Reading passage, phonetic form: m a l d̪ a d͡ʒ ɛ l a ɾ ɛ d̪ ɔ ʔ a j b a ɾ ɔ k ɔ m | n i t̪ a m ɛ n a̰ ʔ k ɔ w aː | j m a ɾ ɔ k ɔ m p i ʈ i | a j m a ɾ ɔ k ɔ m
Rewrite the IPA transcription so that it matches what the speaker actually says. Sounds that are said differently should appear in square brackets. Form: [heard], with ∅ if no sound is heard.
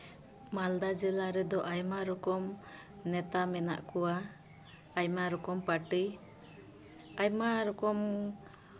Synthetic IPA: m a l d̪ a d͡ʒ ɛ l a ɾ ɛ d̪ ɔ ʔ a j [m] a ɾ ɔ k ɔ m | n [ɛ] t̪ a m ɛ n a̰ ʔ k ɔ w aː | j m a ɾ ɔ k ɔ m p [a] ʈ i | a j m a ɾ ɔ k ɔ m